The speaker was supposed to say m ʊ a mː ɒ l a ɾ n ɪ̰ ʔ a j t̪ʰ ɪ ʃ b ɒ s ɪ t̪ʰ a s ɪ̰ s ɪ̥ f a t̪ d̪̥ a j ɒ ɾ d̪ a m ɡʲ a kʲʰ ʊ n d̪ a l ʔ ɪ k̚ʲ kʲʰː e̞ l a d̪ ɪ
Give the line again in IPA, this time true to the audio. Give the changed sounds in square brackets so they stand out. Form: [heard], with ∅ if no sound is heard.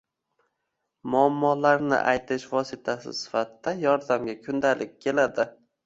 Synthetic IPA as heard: m ʊ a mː ɒ l a ɾ n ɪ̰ ʔ a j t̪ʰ ɪ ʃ [v] ɒ s ɪ t̪ʰ a s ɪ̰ s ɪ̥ f a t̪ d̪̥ a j ɒ ɾ d̪ a m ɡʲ a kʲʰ ʊ n d̪ a l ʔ ɪ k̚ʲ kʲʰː e̞ l a d̪ ɪ